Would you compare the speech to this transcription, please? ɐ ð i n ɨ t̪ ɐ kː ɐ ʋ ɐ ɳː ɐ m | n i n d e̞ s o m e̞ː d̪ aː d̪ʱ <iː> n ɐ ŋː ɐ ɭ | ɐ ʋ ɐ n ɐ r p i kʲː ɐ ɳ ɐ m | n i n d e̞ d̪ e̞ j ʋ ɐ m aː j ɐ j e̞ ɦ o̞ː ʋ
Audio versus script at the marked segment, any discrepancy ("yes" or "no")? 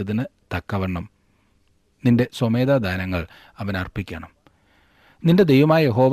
yes